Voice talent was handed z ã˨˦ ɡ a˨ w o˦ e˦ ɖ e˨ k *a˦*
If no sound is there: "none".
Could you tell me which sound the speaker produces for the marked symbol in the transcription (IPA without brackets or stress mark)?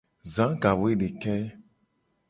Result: ɛ˦